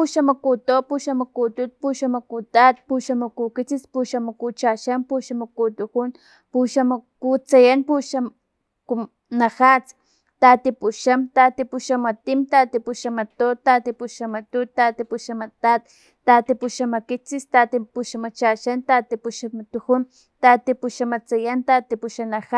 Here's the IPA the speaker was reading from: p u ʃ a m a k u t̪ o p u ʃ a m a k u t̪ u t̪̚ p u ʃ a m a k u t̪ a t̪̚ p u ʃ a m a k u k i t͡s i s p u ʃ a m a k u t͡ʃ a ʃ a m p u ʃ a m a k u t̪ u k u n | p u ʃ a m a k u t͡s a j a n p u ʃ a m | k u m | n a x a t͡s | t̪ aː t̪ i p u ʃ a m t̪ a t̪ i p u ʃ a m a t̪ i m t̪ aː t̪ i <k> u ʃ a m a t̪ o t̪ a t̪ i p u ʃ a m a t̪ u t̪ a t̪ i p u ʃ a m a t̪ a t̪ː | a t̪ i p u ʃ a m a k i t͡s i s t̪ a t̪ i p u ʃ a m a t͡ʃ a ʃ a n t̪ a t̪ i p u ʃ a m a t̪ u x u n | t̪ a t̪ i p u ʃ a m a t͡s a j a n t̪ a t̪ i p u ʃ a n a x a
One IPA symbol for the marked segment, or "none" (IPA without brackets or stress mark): p